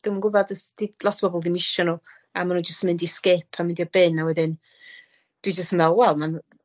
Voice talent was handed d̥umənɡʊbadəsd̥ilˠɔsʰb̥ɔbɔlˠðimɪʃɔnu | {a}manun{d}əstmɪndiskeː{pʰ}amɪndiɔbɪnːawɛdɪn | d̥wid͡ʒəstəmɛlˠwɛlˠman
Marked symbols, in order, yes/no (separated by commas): yes, no, yes